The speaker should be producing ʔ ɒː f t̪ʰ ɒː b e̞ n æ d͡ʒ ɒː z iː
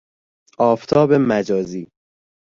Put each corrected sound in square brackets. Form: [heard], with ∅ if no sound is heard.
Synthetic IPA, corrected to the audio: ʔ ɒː f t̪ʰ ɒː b e̞ [m] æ d͡ʒ ɒː z iː